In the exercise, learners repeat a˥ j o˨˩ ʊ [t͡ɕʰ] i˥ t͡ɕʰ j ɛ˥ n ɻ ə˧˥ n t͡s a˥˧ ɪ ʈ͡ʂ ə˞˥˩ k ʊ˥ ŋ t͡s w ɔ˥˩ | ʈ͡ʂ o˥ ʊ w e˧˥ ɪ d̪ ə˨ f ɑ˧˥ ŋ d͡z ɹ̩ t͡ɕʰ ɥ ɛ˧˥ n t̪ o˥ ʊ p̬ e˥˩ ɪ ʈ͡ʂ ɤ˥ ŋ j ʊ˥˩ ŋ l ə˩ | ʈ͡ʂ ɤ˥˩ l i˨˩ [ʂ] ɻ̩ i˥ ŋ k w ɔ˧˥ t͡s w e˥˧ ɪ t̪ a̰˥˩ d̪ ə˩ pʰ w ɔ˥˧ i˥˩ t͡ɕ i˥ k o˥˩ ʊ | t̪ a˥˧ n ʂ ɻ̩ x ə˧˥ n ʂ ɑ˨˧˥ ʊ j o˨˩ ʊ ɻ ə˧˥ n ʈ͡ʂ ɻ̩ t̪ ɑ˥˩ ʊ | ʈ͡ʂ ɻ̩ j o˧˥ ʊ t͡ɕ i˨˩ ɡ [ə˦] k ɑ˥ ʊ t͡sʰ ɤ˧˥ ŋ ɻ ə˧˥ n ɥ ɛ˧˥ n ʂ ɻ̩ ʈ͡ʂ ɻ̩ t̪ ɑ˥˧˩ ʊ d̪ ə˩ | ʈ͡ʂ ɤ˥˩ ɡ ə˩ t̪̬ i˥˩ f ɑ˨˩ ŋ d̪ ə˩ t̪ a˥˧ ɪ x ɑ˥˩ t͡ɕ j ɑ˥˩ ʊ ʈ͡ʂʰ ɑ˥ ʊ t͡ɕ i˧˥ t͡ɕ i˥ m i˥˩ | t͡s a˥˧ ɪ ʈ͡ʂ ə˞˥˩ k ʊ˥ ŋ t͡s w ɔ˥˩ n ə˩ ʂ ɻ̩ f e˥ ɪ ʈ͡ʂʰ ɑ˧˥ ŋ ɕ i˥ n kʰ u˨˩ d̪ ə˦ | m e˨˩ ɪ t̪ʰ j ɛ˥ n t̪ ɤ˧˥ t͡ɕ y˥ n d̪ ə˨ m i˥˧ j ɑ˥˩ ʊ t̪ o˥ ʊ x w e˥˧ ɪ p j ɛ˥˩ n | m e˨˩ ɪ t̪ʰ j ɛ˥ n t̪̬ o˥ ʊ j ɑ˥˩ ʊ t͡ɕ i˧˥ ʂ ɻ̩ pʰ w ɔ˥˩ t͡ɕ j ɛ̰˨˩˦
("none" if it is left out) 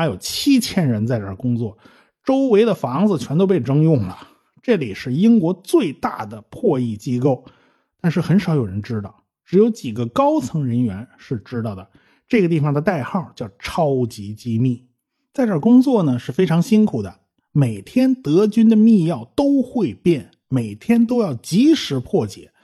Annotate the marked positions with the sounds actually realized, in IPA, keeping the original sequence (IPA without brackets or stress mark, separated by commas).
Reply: t͡ɕʰ, ʂ, ə˦